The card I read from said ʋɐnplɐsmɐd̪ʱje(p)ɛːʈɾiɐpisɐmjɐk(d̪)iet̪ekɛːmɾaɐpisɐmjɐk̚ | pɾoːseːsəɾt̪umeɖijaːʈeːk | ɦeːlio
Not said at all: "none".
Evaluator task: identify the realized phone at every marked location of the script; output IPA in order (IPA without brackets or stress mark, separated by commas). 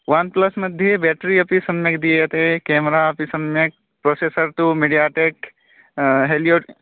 b, d̪